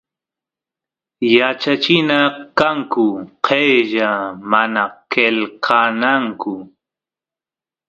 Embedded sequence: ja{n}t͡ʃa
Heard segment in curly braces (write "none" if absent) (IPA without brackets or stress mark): none